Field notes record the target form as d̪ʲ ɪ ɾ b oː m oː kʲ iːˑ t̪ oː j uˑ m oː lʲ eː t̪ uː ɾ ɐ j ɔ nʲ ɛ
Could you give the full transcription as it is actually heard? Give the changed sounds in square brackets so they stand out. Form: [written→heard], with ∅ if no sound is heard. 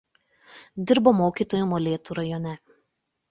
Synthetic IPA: d̪ʲ ɪ ɾ b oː m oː kʲ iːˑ t̪ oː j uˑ m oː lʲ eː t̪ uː ɾ ɐ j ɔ nʲ ɛ